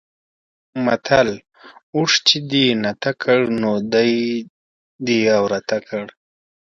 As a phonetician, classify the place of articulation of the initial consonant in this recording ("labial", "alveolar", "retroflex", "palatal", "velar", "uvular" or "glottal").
labial